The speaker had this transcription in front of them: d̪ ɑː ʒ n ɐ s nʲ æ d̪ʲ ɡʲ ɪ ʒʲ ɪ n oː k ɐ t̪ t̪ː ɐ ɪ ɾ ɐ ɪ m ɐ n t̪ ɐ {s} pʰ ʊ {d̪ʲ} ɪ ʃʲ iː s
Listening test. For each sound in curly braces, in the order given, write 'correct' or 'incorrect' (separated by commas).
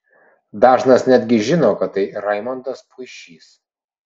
correct, incorrect